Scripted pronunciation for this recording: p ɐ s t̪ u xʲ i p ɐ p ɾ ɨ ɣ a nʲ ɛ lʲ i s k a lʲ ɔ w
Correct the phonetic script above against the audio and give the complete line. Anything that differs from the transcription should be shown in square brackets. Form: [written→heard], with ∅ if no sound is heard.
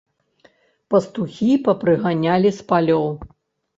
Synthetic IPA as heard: p ɐ s t̪ u xʲ i p ɐ p ɾ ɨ ɣ a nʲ [ɛ→a] lʲ i s [k→p] a lʲ ɔ w